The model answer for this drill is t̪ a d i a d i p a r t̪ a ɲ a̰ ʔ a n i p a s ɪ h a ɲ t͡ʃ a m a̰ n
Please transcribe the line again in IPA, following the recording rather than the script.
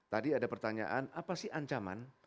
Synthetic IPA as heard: t̪ a d i a d a p ə r t̪ a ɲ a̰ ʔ a n a p a s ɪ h a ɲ t͡ʃ a m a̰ n